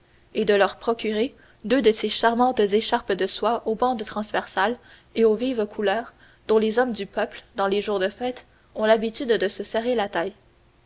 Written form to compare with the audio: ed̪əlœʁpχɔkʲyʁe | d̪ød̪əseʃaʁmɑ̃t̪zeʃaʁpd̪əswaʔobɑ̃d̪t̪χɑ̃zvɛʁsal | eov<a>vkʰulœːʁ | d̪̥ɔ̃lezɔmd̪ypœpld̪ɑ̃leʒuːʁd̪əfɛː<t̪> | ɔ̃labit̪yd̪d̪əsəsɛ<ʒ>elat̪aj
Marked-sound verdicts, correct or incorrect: incorrect, correct, incorrect

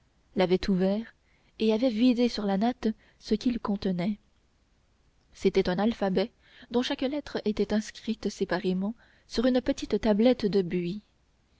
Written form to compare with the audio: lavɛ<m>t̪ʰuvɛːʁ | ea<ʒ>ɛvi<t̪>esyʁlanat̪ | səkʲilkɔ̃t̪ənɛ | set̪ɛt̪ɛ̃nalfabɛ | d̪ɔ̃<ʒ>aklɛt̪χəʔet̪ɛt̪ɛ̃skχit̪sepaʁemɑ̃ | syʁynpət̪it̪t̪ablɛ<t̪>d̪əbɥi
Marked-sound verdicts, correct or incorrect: incorrect, incorrect, incorrect, incorrect, correct

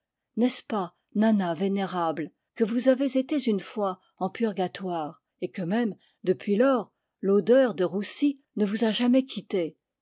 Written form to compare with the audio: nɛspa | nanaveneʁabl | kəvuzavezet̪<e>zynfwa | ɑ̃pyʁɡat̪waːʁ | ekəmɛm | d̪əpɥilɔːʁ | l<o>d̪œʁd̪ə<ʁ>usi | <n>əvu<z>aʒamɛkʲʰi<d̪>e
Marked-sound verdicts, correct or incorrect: correct, correct, correct, correct, correct, incorrect

